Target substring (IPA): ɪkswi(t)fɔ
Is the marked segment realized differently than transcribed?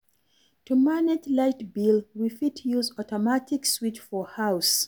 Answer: yes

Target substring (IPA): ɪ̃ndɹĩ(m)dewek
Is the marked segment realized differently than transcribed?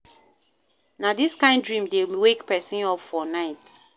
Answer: no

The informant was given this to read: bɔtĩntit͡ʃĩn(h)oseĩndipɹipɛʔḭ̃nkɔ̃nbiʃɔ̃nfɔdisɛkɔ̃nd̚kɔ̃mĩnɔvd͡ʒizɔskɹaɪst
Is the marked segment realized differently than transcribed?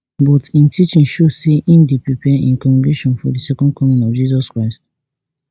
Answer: yes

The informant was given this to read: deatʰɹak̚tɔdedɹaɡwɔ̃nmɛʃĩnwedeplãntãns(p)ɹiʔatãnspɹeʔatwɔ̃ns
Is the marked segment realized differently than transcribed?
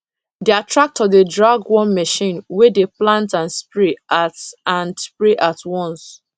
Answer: no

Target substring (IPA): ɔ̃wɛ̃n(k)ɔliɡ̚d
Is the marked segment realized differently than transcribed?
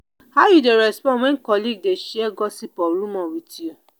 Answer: no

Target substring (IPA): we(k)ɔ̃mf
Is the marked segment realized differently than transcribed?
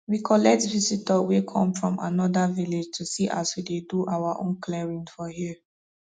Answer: yes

